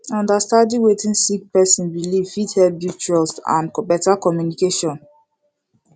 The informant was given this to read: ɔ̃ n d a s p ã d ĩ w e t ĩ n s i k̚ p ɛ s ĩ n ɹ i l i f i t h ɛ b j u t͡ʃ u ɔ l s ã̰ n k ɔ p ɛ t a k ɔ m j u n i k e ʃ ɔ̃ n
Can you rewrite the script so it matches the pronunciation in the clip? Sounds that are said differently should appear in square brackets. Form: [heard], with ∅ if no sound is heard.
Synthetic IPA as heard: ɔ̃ n d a s [t] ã d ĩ w e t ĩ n s i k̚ p ɛ s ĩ n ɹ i l i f i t h ɛ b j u t͡ʃ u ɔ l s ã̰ n k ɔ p ɛ t a k ɔ m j u n i k e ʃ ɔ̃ n